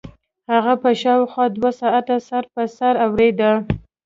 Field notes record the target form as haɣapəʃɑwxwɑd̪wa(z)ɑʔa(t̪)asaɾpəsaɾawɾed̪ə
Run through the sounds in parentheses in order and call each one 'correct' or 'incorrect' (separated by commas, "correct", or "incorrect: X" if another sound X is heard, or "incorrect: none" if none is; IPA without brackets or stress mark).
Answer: incorrect: s, correct